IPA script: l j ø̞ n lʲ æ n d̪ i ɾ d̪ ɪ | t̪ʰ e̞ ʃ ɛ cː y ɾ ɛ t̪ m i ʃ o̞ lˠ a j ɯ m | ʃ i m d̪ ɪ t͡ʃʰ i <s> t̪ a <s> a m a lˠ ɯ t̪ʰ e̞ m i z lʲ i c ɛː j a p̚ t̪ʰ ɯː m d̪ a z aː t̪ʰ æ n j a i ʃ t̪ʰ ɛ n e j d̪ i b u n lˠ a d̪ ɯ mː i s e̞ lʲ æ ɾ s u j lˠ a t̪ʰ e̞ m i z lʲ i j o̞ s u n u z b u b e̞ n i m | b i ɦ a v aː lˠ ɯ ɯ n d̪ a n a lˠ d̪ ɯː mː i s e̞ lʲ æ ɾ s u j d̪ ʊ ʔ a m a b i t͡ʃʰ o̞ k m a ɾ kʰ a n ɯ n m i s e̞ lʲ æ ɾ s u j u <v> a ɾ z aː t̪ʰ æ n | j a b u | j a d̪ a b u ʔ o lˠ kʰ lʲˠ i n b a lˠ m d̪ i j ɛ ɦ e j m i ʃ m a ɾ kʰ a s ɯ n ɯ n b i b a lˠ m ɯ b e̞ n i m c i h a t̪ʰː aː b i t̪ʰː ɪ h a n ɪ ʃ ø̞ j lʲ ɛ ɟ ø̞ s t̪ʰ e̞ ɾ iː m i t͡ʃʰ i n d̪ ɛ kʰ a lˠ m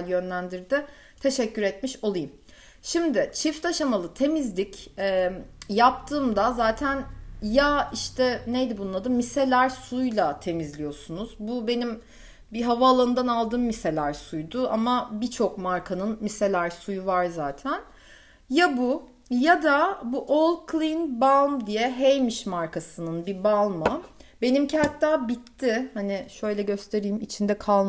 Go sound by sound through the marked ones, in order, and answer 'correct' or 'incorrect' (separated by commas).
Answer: incorrect, incorrect, correct